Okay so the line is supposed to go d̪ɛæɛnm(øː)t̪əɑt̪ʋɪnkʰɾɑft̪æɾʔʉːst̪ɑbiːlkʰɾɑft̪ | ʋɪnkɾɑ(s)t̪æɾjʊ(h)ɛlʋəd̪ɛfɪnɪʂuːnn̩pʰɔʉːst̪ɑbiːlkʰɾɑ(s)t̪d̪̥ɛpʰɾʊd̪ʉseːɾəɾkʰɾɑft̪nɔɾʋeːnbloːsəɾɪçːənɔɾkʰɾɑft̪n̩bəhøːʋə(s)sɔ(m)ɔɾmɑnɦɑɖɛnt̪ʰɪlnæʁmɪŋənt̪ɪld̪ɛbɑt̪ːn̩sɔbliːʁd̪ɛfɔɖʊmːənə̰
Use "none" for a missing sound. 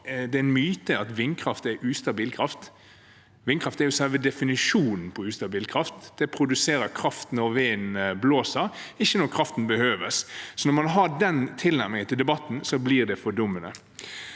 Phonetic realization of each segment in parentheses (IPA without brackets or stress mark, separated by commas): yː, f, s, f, s, n